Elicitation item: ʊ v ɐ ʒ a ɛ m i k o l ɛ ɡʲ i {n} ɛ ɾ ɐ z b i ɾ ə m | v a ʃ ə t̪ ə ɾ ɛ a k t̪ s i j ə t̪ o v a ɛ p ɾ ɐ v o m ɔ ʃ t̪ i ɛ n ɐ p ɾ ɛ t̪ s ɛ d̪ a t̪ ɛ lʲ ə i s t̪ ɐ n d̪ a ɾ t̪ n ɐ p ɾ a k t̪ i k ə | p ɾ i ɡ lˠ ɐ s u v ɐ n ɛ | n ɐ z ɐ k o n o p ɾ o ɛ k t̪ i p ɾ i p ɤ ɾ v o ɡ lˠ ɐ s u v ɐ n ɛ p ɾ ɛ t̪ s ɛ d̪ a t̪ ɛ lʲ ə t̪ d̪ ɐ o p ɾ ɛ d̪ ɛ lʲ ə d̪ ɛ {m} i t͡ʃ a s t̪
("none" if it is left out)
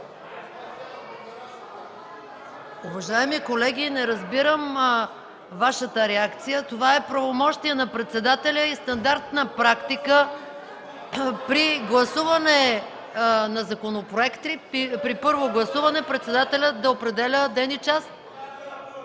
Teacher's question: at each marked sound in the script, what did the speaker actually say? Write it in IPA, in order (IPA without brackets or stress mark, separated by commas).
n, n